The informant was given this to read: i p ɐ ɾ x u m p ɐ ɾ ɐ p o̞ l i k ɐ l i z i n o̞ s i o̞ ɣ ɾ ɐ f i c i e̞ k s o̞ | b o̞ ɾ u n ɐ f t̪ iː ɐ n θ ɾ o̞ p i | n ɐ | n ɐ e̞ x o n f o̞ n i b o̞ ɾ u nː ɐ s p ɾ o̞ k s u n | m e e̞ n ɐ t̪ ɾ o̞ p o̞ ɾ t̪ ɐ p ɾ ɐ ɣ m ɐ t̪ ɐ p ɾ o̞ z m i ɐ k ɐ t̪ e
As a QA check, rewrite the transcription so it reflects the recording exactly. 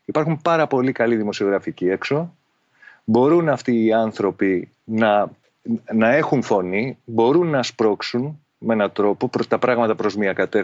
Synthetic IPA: i p ɐ ɾ x u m p ɐ ɾ ɐ p o̞ l i k ɐ l i ð i m o̞ s i o̞ ɣ ɾ ɐ f i c i e̞ k s o̞ | b o̞ ɾ u n ɐ f t̪ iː ɐ n θ ɾ o̞ p i | n ɐ | n ɐ e̞ x u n f o̞ n i b o̞ ɾ u nː ɐ s p ɾ o̞ k s u n | m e e̞ n ɐ t̪ ɾ o̞ p o̞ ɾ t̪ ɐ p ɾ ɐ ɣ m ɐ t̪ ɐ p ɾ o̞ z m i ɐ k ɐ t̪ e